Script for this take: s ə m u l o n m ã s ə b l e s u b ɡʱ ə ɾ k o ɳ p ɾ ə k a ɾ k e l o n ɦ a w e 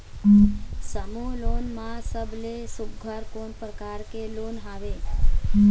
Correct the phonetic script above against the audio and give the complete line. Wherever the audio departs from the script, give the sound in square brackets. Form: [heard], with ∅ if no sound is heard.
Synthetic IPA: s ə m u l o n m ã s ə b l e s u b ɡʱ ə ɾ k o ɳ p ɾ ə k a ɾ k e l o n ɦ a [ʋ] e